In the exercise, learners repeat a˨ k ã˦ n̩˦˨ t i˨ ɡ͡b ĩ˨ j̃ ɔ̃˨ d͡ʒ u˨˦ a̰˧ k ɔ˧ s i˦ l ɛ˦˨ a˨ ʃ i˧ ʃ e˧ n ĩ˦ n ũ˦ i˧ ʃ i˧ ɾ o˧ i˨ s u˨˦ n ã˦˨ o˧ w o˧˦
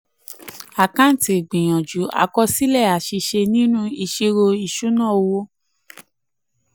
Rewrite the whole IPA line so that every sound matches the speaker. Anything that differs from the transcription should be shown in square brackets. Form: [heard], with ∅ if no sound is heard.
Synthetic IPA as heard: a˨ k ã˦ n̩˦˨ t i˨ ɡ͡b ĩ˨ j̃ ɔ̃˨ d͡ʒ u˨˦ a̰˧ k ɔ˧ s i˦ l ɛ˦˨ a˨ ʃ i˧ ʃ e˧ n ĩ˦ n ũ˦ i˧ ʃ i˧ ɾ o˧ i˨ [ʃ] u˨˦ n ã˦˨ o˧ w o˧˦